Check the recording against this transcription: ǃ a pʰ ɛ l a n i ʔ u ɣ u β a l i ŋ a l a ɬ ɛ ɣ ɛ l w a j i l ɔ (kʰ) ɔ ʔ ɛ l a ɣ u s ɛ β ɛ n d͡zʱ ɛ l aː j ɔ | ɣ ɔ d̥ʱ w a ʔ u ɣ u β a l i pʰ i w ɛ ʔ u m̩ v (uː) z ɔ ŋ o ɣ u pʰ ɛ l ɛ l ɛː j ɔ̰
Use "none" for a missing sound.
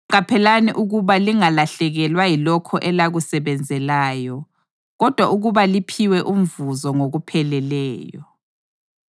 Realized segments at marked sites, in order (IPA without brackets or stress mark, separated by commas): kʰ, u